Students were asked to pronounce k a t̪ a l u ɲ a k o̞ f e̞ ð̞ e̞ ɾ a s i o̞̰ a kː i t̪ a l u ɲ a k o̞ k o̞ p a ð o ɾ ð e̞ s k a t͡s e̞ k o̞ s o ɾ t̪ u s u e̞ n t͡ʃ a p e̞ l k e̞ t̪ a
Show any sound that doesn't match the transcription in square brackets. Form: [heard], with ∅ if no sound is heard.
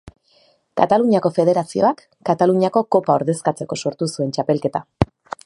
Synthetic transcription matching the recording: k a t̪ a l u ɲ a k o̞ f e̞ ð̞ e̞ ɾ a s i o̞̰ a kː [a] t̪ a l u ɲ a k o̞ k o̞ p a [∅] o ɾ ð e̞ s k a t͡s e̞ k o̞ s o ɾ t̪ u s u e̞ n t͡ʃ a p e̞ l k e̞ t̪ a